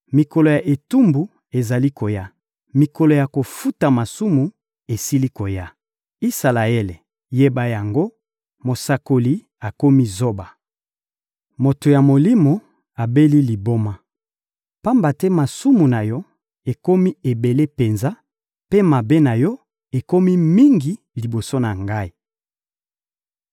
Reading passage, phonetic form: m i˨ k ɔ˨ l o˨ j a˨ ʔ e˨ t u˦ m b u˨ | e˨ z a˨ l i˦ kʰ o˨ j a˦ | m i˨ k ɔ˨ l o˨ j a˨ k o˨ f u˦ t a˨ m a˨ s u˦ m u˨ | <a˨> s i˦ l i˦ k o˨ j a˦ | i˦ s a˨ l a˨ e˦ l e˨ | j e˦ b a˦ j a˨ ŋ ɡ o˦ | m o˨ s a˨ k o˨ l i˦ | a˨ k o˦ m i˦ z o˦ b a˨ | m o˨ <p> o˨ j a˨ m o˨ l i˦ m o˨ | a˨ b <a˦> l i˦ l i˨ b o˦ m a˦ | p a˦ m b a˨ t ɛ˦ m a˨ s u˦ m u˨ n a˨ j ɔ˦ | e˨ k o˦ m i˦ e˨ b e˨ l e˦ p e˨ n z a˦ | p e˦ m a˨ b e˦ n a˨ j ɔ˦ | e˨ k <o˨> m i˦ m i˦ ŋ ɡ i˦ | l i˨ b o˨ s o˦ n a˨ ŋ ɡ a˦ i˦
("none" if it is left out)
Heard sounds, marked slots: e˨, t, e˦, o˦

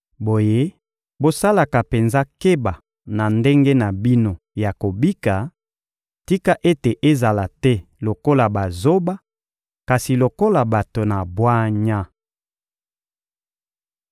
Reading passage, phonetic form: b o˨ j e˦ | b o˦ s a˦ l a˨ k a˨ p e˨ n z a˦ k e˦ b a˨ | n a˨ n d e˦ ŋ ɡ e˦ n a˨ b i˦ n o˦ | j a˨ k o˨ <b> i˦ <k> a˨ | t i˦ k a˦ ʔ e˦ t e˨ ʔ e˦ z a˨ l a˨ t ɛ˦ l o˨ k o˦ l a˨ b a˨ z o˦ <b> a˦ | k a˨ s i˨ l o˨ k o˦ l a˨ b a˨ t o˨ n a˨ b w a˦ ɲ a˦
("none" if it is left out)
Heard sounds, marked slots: b, k, b

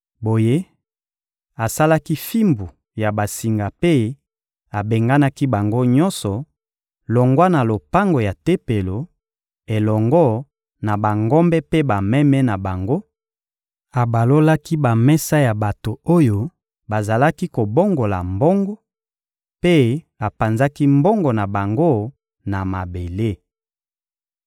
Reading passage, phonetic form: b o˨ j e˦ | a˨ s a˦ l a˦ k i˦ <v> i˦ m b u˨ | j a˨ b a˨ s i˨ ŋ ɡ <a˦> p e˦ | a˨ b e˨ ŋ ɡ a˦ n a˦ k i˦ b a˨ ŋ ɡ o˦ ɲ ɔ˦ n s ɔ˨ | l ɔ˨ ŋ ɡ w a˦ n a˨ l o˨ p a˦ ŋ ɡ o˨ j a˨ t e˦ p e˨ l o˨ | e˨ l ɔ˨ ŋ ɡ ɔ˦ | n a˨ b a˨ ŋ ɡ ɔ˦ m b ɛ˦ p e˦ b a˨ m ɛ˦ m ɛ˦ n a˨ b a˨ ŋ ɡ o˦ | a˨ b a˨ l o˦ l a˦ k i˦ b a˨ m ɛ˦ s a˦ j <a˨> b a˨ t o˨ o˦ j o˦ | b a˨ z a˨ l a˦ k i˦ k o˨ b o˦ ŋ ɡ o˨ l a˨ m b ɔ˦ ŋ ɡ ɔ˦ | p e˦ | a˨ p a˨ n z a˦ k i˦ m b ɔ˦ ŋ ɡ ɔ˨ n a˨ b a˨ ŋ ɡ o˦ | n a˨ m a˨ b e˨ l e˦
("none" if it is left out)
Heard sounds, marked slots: f, a˨, a˨

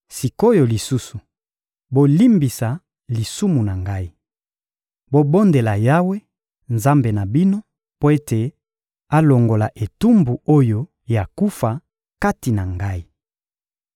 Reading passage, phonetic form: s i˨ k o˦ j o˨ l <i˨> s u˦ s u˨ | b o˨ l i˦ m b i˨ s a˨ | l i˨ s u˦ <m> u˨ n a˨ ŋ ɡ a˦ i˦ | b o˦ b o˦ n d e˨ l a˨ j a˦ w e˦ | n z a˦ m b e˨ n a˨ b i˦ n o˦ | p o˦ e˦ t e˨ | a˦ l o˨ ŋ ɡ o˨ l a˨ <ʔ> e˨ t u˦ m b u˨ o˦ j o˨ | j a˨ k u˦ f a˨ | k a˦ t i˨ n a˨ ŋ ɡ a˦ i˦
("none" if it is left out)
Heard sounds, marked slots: i˨, m, ʔ

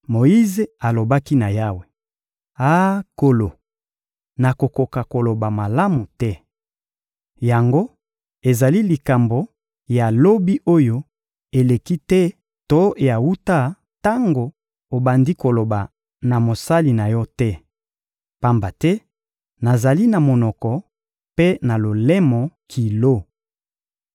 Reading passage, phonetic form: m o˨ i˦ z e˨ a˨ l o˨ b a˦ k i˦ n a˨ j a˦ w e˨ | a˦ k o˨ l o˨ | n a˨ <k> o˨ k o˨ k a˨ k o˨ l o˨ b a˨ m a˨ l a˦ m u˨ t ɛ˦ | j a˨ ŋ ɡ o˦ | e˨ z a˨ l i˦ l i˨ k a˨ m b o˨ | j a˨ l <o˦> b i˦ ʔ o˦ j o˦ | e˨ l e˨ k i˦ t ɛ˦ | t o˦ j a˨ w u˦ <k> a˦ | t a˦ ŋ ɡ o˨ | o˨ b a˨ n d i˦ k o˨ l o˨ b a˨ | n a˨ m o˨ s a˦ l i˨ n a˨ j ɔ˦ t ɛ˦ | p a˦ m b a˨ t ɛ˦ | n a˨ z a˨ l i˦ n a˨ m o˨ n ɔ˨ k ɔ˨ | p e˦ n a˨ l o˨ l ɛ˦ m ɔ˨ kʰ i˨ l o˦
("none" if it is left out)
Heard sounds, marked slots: k, o˦, t

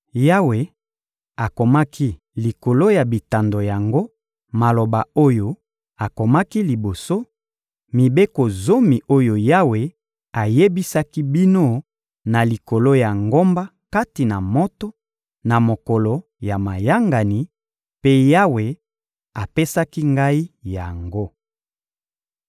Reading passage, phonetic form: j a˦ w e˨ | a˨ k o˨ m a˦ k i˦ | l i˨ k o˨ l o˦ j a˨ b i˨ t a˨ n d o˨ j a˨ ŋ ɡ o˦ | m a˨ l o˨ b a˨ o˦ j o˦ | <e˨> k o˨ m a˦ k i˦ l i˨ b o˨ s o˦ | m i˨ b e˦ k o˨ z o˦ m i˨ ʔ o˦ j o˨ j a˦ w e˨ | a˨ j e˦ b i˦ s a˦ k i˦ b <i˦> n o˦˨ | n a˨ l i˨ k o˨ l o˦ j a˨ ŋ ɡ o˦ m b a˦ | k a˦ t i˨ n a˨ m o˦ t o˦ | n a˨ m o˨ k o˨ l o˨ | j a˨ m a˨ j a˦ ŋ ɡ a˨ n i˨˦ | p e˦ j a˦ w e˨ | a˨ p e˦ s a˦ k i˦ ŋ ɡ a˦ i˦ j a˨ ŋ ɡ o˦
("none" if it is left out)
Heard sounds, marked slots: a˨, i˦

